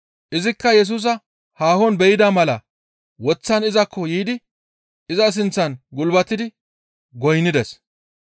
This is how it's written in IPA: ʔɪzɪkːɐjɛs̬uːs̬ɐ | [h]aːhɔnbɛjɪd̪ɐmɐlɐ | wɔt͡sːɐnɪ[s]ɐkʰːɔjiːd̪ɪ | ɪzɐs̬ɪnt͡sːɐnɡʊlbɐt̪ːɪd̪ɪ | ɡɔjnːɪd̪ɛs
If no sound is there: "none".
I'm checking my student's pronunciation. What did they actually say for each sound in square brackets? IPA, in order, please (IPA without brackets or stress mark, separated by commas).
h, z